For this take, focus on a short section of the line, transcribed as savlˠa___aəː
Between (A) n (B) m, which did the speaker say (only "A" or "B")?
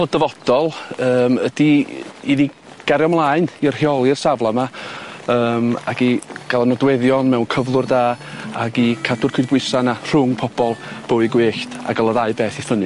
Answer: B